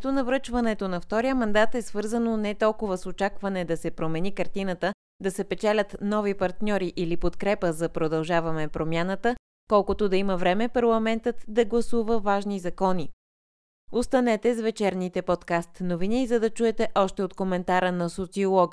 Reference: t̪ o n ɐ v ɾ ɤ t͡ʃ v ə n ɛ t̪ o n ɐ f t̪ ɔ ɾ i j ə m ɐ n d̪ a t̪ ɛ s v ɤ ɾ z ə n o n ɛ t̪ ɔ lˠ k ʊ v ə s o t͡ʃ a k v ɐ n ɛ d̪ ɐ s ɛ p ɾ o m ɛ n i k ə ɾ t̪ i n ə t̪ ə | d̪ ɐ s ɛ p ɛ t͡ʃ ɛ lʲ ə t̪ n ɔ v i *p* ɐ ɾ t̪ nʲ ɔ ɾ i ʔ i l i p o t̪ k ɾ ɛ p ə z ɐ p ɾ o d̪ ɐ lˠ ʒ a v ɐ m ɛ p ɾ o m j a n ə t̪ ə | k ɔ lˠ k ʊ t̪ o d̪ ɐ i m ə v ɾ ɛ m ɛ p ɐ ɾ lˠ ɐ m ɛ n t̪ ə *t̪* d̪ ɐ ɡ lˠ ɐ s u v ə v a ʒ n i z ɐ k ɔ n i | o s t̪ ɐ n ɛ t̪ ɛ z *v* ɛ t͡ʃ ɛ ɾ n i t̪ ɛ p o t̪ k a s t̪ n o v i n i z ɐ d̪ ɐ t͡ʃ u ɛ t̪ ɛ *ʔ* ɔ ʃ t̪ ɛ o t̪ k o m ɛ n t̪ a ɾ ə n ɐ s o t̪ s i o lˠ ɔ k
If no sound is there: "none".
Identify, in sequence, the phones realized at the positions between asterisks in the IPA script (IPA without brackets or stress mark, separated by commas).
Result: p, t̪, v, ʔ